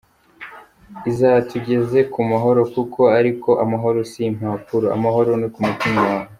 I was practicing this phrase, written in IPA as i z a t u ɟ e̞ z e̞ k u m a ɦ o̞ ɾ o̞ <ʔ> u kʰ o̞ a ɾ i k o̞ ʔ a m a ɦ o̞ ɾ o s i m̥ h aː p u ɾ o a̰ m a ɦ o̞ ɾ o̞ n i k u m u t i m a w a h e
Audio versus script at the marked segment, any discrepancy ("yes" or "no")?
yes